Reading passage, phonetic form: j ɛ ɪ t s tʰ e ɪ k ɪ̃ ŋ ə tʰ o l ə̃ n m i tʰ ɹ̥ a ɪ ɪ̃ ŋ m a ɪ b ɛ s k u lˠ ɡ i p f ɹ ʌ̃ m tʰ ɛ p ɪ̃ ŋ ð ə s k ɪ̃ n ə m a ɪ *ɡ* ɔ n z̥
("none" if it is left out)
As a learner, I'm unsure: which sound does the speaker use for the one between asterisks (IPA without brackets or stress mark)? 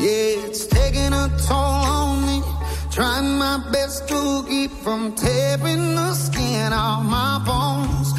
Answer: b